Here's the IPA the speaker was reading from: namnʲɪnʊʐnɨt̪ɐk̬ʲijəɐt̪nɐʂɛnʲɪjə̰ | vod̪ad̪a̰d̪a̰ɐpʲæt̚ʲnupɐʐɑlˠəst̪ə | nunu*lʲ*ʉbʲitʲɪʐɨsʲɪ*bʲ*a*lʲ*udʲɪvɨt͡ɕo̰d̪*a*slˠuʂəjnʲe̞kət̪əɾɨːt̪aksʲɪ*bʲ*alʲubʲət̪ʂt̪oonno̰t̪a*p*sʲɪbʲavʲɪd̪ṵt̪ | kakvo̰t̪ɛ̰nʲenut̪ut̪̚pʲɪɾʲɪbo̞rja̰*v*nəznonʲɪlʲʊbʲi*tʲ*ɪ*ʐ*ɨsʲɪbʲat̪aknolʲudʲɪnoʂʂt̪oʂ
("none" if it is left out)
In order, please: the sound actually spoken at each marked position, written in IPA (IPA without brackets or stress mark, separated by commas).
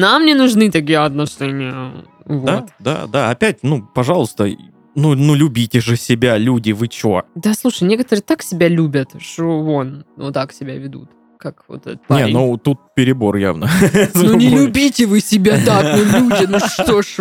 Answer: lʲ, bʲ, lʲ, a, bʲ, k, v, tʲ, v